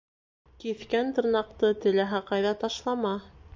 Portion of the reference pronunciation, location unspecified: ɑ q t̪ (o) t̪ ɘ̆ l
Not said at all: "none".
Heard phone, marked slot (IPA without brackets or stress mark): ɤ